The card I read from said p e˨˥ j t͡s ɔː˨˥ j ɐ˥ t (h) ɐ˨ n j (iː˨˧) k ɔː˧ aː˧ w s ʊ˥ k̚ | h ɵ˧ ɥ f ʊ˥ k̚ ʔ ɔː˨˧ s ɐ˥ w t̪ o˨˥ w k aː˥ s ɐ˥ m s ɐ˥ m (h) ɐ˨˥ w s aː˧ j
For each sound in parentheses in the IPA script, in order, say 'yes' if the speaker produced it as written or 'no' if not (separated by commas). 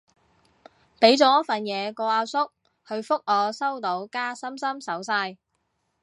no, no, no